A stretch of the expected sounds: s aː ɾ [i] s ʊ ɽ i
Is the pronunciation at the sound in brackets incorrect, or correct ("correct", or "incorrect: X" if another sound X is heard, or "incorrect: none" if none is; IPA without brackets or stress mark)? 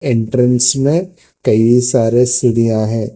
incorrect: e